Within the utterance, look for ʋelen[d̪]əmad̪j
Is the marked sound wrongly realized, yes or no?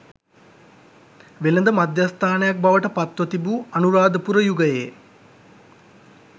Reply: no